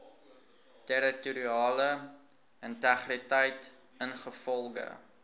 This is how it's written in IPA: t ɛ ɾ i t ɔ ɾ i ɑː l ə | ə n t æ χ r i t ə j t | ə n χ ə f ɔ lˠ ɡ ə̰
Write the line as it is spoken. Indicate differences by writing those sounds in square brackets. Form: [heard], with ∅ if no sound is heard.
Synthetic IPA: t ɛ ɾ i t [u] ɾ i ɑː l ə | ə n t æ χ r i t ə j t | ə n χ ə f ɔ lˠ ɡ ə̰